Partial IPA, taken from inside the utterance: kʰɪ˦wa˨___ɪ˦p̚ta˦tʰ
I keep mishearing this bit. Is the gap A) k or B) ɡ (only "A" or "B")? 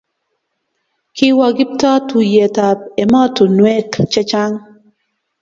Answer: B